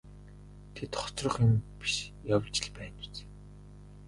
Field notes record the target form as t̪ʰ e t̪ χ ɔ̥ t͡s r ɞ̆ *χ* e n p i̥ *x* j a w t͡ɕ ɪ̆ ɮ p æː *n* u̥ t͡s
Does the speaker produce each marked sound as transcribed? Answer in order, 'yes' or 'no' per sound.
yes, no, yes

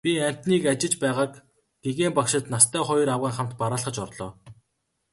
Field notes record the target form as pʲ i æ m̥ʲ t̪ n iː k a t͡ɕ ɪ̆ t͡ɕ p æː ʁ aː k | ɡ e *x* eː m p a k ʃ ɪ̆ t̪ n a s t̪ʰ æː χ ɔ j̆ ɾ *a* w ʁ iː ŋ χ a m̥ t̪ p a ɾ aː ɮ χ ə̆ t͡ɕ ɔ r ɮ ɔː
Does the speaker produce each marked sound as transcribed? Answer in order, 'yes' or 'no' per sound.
no, yes

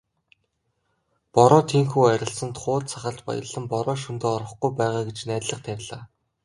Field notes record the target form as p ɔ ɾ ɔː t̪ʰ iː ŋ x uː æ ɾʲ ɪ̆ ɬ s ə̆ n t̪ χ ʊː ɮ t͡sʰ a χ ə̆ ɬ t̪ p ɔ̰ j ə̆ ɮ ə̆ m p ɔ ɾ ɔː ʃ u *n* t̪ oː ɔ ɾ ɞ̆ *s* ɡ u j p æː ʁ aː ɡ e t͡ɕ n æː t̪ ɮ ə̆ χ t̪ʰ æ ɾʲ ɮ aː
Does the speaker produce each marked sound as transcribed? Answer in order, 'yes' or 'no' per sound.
yes, no

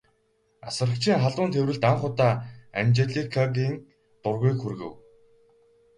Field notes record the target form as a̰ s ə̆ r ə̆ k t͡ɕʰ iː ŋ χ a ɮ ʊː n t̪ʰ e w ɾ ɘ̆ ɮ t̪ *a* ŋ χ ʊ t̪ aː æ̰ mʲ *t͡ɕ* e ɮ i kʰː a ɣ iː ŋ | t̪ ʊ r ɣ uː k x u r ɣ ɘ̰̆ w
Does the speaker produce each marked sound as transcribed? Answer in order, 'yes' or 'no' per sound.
yes, yes

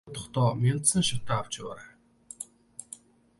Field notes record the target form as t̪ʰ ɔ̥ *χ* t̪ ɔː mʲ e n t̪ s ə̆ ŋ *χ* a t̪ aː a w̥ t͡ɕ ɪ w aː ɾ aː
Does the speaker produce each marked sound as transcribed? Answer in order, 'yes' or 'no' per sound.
yes, no

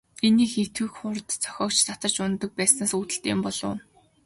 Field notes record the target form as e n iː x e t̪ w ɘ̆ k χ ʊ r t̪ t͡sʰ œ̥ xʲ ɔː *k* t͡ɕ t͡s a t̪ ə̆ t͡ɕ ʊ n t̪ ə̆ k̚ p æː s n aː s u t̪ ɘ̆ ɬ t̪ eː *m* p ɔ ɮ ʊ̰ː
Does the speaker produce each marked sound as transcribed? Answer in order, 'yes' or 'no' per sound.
yes, yes

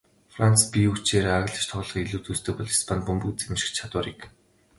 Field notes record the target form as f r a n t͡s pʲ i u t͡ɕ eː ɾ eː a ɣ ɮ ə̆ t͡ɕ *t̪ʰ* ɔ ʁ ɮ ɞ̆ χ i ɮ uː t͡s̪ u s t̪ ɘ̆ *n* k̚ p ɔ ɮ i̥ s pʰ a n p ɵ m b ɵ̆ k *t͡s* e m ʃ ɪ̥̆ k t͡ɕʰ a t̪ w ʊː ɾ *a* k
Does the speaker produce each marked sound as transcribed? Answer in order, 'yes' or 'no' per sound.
yes, no, yes, no

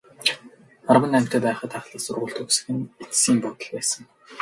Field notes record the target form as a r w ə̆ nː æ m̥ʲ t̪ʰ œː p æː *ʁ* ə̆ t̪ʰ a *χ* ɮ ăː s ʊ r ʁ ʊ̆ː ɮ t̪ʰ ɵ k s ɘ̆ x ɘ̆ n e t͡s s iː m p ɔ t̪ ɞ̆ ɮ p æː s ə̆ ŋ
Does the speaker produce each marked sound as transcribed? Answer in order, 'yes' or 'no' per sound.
no, yes

